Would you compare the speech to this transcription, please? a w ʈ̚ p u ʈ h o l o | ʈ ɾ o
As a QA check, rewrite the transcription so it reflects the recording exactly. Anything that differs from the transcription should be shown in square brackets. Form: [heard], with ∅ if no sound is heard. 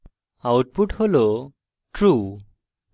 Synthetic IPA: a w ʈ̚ p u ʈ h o l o | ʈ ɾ [u]